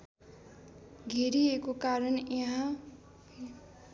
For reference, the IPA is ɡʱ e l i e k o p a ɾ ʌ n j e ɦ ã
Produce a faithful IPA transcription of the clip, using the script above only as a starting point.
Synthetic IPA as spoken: ɡʱ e ɾ i e k o k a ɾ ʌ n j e ɦ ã